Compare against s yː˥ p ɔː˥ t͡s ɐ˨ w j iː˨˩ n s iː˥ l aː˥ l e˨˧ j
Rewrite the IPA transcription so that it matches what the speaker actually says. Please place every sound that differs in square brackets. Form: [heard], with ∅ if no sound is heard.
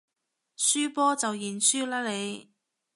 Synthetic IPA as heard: s yː˥ p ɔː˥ t͡s ɐ˨ w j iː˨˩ n s [yː˥] l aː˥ l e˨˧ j